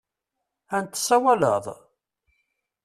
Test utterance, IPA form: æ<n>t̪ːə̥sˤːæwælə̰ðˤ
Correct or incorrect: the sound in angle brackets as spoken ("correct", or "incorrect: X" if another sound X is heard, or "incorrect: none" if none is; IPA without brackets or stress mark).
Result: correct